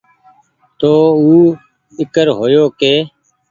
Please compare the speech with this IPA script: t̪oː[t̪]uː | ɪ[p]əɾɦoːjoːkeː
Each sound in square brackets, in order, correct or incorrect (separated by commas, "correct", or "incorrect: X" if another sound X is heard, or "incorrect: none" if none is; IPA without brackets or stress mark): incorrect: none, incorrect: k